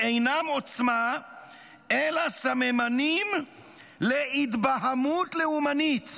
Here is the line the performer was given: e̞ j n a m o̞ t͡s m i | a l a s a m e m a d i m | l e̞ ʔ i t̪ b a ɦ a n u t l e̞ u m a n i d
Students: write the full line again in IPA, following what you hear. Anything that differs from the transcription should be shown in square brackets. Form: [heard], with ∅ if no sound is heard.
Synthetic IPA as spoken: e̞ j n a m o̞ t͡s m [a] | [e] l a s a m e m a [n] i m | l e̞ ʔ i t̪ b a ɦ a [m] u t l e̞ u m a n i [t]